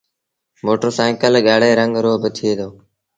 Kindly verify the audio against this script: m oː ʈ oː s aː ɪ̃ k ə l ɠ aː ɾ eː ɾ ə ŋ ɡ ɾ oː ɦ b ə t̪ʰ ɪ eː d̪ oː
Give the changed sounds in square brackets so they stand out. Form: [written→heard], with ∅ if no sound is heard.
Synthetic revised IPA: m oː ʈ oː s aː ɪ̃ k ə l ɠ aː [ɾ→ɽ] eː ɾ ə ŋ ɡ ɾ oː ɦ b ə t̪ʰ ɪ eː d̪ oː